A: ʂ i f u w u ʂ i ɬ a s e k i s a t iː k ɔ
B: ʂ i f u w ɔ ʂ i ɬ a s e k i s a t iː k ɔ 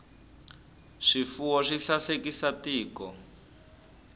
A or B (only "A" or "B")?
B